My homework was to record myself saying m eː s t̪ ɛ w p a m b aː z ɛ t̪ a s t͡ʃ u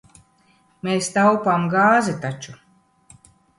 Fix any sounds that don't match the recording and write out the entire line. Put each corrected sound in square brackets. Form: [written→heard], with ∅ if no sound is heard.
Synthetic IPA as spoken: m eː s t̪ [ɛ→a] w p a m [b→ɡ] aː z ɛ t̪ a [s→∅] t͡ʃ u

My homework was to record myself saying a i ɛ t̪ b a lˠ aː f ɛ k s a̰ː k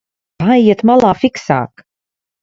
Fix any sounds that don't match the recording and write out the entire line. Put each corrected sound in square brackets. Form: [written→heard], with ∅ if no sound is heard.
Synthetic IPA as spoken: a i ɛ t̪ [b→m] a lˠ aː f [ɛ→i] k s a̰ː k

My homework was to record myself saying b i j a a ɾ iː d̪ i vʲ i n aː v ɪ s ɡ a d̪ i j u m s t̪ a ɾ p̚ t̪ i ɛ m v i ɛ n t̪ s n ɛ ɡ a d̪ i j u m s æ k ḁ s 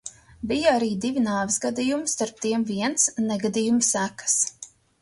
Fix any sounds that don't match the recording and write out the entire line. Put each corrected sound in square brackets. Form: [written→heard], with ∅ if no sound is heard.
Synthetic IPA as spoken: b i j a a ɾ iː d̪ i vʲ i n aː v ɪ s ɡ a d̪ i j u m s t̪ a ɾ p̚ t̪ i ɛ m v i ɛ n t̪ s n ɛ ɡ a d̪ i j u m s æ k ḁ s

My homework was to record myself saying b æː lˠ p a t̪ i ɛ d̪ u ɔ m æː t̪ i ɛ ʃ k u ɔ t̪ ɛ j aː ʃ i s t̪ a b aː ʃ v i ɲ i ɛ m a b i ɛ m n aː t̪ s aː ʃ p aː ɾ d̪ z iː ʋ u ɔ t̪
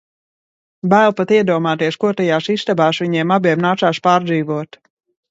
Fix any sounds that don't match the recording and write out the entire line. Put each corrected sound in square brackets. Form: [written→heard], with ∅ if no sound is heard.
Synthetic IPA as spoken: b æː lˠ p a t̪ i ɛ d̪ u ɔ m [æː→aː] t̪ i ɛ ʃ k u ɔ t̪ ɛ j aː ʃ i s t̪ a b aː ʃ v i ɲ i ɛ m a b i ɛ m n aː t̪ s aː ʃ p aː ɾ d̪ z iː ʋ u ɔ t̪

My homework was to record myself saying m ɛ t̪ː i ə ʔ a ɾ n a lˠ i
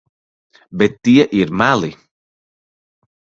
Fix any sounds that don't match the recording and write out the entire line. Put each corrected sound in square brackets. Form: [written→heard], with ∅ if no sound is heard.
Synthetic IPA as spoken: [m→b] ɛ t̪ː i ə ʔ [a→i] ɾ [n→m] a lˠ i

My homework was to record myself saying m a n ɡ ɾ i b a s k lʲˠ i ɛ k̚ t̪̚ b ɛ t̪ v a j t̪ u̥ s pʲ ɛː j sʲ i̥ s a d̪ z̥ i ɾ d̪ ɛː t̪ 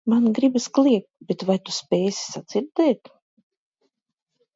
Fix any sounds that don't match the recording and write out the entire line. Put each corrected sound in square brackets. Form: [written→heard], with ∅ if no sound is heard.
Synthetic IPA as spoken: m a n ɡ ɾ i b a s k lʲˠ i ɛ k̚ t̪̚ b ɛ t̪ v a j t̪ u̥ s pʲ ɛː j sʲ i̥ s a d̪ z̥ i ɾ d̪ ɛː t̪

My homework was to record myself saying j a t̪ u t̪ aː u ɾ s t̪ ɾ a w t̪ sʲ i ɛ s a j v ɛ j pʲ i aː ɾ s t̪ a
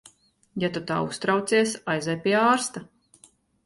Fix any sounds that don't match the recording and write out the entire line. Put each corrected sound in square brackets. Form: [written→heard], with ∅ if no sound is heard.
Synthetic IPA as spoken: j a t̪ u t̪ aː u [ɾ→∅] s t̪ ɾ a w t̪ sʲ i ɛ s a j [v→z] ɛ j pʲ i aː ɾ s t̪ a

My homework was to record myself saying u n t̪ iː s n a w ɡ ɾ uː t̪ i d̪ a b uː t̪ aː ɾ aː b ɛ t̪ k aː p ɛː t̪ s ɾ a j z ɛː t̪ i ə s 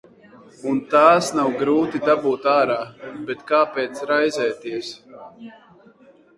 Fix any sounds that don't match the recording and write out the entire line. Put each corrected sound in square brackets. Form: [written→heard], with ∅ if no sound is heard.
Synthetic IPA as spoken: u n t̪ [iː→aː] s n a w ɡ ɾ uː t̪ i d̪ a b uː t̪ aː ɾ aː b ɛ t̪ k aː p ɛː t̪ s ɾ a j z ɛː t̪ i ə s

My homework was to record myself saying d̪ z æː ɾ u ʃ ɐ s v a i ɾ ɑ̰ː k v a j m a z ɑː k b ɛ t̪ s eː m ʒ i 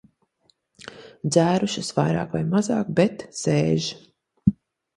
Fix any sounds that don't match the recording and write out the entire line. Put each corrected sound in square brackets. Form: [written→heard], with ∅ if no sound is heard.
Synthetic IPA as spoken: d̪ z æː ɾ u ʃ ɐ s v a [i→j] ɾ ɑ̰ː k v a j m a z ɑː k b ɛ t̪ s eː [m→∅] ʒ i

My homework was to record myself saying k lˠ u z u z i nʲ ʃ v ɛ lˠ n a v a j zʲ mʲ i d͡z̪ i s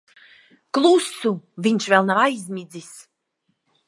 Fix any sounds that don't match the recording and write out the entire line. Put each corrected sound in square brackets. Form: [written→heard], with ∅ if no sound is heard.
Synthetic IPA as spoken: k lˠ u [z→s] u [z→v] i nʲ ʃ v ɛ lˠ n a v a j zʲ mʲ i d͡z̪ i s

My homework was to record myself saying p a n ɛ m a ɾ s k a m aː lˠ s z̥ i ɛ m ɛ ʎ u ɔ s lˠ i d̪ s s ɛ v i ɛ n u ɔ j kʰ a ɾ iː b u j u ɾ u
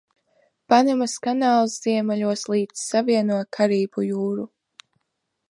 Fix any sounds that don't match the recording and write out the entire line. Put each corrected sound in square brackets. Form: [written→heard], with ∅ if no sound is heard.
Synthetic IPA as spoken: p a n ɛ m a [ɾ→∅] s k a [m→n] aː lˠ s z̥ i ɛ m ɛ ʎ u ɔ s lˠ [i→iː] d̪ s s [ɛ→a] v i ɛ n u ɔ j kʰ a ɾ iː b u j [u→uː] ɾ u

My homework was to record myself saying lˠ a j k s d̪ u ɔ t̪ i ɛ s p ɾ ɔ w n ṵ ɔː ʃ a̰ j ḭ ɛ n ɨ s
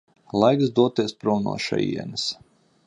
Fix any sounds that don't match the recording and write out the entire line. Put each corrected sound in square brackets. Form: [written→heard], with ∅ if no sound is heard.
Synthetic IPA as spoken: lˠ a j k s d̪ u ɔ t̪ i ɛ s p ɾ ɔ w n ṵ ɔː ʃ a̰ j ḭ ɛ n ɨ s

